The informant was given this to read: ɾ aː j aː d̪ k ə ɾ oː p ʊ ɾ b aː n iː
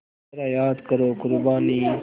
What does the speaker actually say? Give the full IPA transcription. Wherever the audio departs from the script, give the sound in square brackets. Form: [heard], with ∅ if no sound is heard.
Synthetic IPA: ɾ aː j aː d̪ k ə ɾ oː [k] ʊ ɾ b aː n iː

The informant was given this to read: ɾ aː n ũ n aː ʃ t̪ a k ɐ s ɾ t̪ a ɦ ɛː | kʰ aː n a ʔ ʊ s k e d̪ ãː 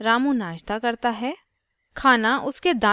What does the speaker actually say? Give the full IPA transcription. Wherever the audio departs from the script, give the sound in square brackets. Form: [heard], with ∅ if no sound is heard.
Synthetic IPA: ɾ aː [m] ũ n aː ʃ t̪ a k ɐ [∅] ɾ t̪ a ɦ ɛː | kʰ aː n a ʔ ʊ s k e d̪ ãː

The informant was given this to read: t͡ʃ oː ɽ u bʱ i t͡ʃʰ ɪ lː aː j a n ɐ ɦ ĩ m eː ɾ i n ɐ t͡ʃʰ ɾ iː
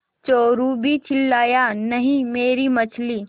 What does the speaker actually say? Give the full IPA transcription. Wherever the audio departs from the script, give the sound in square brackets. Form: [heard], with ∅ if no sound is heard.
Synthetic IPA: t͡ʃ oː [ɾ] u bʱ i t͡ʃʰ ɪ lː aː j a n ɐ ɦ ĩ m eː ɾ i [m] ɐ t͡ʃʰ [l] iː

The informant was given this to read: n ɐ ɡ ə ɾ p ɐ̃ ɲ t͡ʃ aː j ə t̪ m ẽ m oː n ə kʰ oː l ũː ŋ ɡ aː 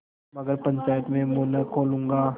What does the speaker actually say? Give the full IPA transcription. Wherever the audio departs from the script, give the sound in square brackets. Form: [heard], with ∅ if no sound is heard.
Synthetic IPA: [m] ɐ ɡ ə ɾ p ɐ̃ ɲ t͡ʃ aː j ə t̪ m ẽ m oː n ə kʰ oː l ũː ŋ ɡ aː

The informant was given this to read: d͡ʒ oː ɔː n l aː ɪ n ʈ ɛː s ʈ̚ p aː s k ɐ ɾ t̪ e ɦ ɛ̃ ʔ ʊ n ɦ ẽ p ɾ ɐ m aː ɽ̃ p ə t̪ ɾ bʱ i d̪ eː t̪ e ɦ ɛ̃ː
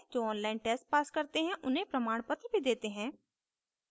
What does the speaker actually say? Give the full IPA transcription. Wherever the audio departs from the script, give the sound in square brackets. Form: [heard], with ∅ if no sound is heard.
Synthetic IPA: d͡ʒ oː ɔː n l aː ɪ n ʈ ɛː s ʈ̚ p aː s k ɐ ɾ t̪ e ɦ ɛ̃ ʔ ʊ n ɦ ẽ p ɾ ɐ m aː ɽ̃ p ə t̪ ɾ bʱ i d̪ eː t̪ e ɦ ɛ̃ː

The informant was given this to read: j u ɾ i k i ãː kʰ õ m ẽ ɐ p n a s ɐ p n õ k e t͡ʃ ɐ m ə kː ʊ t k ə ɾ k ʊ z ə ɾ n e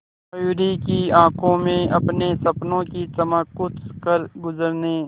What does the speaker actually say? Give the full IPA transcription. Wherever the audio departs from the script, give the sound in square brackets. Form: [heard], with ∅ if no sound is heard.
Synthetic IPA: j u ɾ i k i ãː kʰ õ m ẽ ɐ p n [e] s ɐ p n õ k [i] t͡ʃ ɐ m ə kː ʊ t k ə ɾ [ɡ] ʊ z ə ɾ n e

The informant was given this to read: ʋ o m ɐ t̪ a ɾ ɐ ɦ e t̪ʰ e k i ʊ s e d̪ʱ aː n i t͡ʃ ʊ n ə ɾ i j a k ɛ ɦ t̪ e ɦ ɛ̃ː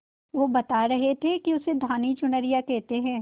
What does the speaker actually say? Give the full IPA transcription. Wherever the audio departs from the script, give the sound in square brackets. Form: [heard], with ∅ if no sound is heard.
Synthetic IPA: ʋ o [b] ɐ t̪ a ɾ ɐ ɦ e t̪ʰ e k i ʊ s e d̪ʱ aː n i t͡ʃ ʊ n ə ɾ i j a k ɛ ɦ t̪ e ɦ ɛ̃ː

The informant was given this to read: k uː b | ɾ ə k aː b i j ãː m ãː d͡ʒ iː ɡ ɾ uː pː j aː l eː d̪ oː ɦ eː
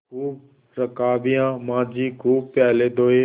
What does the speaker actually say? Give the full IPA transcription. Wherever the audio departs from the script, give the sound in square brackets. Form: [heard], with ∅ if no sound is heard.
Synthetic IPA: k uː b | ɾ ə k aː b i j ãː m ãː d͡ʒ iː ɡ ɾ uː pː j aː l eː d̪ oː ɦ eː

